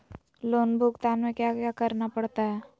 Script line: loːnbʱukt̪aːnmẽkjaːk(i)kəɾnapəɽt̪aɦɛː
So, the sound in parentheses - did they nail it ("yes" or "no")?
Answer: no